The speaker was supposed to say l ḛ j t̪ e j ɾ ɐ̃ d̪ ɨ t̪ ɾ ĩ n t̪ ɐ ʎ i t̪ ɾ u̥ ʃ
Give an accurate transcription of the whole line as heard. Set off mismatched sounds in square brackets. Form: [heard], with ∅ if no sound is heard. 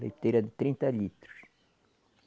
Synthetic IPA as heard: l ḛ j t̪ e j ɾ [ɐ] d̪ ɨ t̪ ɾ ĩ n t̪ ɐ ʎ i t̪ ɾ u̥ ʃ